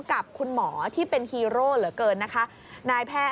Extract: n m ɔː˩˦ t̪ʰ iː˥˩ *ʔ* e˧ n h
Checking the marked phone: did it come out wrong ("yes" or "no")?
yes